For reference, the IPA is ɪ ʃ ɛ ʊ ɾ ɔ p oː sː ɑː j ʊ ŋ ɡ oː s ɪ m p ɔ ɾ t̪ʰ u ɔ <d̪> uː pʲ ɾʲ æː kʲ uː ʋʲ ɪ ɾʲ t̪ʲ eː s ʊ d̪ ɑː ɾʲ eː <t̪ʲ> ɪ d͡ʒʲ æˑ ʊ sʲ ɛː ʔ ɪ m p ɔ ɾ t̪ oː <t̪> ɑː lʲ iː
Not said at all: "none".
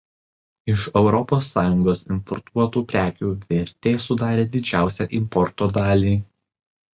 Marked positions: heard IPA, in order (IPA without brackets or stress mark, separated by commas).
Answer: t̪, d̪ʲ, d̪